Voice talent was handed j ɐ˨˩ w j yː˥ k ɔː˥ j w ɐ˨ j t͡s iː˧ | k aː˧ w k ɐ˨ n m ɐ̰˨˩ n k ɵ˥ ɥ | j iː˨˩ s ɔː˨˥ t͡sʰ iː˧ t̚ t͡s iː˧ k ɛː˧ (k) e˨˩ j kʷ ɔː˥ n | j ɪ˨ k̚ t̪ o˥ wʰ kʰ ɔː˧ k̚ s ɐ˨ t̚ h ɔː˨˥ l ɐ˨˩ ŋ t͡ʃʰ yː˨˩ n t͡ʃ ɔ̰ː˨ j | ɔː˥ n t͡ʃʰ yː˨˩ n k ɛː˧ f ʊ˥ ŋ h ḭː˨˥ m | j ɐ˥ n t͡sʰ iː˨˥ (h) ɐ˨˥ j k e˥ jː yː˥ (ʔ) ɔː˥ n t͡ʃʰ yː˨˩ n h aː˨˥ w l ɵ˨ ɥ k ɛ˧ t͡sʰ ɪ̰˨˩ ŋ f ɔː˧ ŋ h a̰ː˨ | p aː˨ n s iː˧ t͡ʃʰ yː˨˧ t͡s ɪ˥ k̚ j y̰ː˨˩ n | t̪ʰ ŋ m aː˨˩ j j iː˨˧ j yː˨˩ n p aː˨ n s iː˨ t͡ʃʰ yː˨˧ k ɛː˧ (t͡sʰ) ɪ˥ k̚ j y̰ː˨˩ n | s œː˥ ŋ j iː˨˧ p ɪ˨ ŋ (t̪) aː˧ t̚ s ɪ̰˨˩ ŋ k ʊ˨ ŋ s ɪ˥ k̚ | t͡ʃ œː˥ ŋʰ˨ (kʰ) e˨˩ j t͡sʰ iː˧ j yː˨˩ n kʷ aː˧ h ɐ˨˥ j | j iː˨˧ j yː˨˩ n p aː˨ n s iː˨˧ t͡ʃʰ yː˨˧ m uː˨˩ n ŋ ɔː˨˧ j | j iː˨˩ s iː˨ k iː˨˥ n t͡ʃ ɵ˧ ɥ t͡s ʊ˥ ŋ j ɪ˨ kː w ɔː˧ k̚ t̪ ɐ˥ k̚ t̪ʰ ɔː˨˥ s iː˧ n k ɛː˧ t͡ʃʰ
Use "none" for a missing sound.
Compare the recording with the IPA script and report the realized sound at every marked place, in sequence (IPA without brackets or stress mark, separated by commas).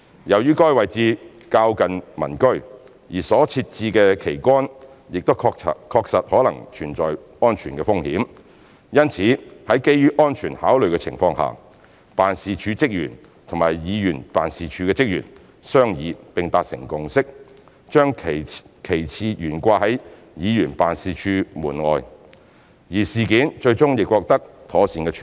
kʰ, h, ʔ, t͡s, t̪, kʰ